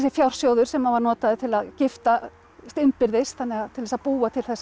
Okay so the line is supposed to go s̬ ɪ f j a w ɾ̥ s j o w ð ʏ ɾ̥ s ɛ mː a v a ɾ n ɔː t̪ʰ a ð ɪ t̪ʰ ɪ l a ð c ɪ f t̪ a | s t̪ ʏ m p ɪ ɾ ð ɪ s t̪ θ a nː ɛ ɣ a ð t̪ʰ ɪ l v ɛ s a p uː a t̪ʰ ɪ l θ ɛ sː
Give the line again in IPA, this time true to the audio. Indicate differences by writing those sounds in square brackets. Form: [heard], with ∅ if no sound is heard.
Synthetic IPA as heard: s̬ ɪ f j a w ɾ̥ s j o w ð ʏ ɾ̥ s ɛ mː a v a ɾ n ɔː [t̪] a ð ɪ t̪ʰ ɪ l a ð c ɪ f t̪ a | s t̪ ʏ m p ɪ ɾ ð ɪ s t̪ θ a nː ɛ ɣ a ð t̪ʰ ɪ l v ɛ s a p uː a t̪ʰ ɪ l θ ɛ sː